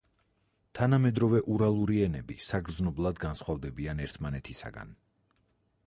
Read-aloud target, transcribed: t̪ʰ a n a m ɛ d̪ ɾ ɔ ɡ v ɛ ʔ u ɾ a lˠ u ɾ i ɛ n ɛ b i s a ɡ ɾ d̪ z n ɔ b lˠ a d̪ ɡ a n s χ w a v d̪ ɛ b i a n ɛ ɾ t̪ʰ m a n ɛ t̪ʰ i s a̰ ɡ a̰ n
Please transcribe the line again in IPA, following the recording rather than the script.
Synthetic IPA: t̪ʰ a n a m ɛ d̪ ɾ ɔ v ɛ ʔ u ɾ a lˠ u ɾ i ɛ n ɛ b i s a ɡ ɾ d̪ z n ɔ b lˠ a d̪ ɡ a n s χ w a v d̪ ɛ b i a n ɛ ɾ t̪ʰ m a n ɛ t̪ʰ i s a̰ ɡ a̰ n

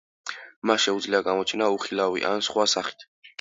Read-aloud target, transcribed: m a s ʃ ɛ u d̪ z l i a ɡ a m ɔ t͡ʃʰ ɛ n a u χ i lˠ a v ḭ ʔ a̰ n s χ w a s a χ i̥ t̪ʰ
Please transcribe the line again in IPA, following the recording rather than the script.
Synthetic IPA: m a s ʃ ɛ u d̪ z l i a ɡ a m ɔ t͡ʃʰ ɛ n a u χ i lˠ a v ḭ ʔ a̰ n s χ w a s a χ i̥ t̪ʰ

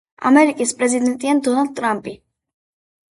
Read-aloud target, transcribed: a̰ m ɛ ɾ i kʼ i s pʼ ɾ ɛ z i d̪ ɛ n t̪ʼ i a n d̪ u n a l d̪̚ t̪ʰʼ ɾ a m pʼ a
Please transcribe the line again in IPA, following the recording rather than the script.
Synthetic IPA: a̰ m ɛ ɾ i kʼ i s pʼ ɾ ɛ z i d̪ ɛ n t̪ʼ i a n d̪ ɔ n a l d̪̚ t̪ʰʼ ɾ a m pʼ i

